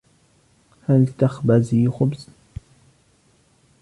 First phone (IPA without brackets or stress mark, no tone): h